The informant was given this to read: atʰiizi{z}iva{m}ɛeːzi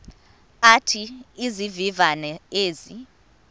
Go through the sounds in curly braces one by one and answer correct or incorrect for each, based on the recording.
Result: incorrect: v, incorrect: n

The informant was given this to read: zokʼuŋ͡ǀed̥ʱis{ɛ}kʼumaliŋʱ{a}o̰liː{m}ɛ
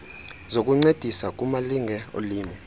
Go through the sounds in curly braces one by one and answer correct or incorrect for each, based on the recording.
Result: incorrect: a, incorrect: ɛ, correct

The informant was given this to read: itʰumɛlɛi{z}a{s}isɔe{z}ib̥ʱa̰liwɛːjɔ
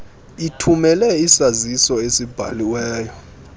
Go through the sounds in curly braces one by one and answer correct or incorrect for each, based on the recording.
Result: incorrect: s, incorrect: z, incorrect: s

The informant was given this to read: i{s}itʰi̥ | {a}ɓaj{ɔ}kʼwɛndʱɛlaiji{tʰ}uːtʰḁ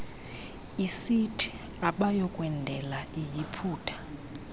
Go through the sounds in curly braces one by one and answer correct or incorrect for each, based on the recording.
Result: correct, correct, correct, incorrect: pʰ

